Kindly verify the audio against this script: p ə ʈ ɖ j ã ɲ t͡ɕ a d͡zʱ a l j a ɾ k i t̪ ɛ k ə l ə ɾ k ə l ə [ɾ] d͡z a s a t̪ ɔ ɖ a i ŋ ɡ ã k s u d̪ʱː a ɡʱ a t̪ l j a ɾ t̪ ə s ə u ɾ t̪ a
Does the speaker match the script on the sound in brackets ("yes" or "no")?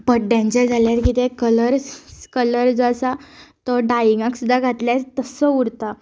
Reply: yes